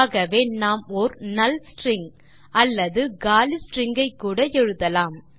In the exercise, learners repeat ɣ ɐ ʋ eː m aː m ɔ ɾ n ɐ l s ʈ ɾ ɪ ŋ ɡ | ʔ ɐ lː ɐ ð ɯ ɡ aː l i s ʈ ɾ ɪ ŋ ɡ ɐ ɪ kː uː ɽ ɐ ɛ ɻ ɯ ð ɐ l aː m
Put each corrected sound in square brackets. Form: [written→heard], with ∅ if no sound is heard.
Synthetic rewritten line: ɣ ɐ ʋ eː [m→n] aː m ɔ ɾ n ɐ l s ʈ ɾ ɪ ŋ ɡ | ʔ ɐ lː ɐ ð ɯ ɡ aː l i s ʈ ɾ ɪ ŋ ɡ ɐ ɪ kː uː ɽ ɐ ɛ ɻ ɯ ð ɐ l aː m